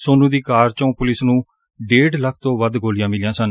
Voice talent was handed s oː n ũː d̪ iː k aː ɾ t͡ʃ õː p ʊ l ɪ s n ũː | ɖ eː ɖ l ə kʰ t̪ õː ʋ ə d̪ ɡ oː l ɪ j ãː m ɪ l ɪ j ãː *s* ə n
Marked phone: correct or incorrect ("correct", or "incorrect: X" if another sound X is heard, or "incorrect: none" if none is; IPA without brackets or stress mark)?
correct